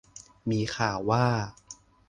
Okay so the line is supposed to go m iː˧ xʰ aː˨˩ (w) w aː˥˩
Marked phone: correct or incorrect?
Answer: correct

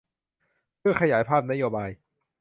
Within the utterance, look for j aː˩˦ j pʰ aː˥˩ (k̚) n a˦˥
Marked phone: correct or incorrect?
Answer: incorrect: p̚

